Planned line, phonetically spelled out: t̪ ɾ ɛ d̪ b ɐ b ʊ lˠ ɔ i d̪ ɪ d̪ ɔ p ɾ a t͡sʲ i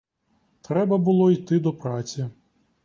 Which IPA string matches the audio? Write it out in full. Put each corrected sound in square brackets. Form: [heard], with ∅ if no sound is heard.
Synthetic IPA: t̪ ɾ ɛ [∅] b ɐ b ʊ lˠ ɔ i [t̪] ɪ d̪ ɔ p ɾ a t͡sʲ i